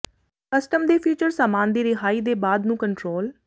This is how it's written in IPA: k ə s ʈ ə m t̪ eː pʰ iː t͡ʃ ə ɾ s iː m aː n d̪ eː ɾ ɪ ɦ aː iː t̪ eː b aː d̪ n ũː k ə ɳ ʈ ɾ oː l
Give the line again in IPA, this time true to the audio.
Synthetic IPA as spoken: k ə s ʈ ə m d̪ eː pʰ iː t͡ʃ ə ɾ s aː m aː n d̪ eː ɾ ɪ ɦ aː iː d̪ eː b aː d̪ n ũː k ə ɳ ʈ ɾ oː l